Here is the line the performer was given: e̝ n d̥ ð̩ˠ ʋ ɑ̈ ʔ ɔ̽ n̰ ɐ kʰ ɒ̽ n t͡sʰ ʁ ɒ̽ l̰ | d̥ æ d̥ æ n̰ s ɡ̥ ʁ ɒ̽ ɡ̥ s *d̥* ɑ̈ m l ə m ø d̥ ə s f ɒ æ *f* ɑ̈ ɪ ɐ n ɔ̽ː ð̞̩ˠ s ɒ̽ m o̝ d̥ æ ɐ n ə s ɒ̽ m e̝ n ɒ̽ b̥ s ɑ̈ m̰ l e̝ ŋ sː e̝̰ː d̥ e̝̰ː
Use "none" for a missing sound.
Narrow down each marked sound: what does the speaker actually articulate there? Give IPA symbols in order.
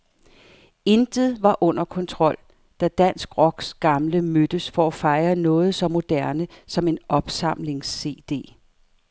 ɡ̥, f

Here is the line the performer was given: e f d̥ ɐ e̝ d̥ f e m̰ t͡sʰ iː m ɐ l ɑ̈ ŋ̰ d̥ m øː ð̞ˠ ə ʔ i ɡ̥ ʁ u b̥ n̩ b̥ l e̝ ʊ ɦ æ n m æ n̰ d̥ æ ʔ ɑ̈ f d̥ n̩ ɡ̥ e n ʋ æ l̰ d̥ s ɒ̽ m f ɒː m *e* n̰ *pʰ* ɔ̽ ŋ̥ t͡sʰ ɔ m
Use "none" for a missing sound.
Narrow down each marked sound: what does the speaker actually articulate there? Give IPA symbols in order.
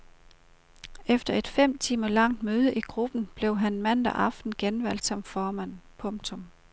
æ, pʰ

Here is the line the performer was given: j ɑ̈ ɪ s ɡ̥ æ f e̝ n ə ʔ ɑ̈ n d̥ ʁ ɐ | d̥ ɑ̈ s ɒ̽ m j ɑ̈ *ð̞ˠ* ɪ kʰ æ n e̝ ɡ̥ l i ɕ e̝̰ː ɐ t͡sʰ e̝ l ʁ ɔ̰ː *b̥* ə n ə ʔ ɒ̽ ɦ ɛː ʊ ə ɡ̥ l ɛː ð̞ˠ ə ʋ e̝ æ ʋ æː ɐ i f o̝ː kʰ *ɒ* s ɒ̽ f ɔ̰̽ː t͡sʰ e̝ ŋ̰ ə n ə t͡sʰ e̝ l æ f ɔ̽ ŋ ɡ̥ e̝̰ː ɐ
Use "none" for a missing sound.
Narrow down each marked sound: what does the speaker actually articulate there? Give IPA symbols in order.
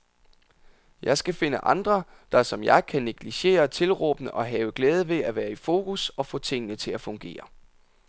none, b̥, u

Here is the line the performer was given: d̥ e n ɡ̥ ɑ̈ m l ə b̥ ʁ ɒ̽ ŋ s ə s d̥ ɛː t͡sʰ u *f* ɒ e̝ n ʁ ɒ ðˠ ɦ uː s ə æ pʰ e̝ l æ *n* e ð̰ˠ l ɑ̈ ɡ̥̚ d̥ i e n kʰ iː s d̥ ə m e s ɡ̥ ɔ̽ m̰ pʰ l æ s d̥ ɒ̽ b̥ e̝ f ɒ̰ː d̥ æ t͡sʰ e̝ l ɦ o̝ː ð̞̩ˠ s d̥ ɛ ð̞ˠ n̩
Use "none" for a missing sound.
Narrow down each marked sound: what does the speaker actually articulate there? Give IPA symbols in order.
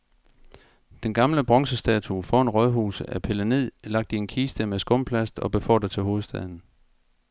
f, n

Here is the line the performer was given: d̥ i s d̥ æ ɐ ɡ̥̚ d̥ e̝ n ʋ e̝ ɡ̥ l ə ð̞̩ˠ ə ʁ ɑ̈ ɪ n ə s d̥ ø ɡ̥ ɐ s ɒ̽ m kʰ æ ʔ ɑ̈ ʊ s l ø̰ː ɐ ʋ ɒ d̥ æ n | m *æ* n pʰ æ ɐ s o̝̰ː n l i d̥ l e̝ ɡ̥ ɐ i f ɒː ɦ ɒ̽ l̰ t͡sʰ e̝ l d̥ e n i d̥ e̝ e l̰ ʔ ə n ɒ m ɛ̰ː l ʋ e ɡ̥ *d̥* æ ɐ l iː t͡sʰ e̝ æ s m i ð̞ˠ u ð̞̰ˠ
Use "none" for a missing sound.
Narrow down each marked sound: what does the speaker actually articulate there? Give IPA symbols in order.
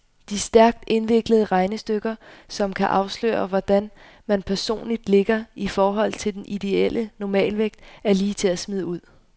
æ, d̥

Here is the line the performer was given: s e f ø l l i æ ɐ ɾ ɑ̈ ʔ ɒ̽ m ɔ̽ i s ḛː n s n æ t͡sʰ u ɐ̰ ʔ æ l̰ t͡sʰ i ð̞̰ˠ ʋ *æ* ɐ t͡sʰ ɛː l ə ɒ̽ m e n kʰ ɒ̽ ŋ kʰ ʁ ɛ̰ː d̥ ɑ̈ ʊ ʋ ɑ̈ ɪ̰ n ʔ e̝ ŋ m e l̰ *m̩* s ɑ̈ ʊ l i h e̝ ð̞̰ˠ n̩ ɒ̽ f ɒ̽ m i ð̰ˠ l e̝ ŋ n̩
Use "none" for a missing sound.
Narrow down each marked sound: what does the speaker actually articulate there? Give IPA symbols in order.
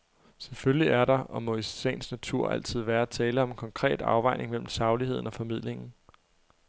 æː, m̩

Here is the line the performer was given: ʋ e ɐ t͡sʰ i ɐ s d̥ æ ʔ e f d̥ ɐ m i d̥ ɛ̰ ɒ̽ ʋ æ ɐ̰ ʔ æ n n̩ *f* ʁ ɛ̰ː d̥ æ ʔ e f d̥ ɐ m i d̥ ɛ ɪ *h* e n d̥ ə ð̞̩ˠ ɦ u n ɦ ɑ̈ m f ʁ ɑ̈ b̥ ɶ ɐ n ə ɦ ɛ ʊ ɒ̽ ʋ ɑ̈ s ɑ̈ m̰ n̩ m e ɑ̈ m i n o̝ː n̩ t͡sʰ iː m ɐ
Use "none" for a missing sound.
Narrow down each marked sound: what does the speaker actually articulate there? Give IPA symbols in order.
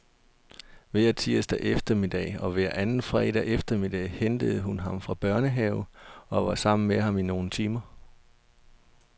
f, h

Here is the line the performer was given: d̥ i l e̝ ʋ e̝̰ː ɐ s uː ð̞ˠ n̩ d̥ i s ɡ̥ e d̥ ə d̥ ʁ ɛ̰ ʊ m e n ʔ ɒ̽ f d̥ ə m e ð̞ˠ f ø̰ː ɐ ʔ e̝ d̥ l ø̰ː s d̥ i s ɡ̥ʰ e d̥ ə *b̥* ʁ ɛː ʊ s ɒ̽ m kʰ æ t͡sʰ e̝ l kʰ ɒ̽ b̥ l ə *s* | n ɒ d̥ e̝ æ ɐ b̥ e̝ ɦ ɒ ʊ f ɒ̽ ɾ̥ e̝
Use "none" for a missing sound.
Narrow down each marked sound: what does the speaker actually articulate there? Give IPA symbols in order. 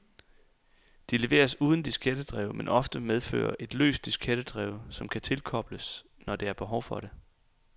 d̥, s

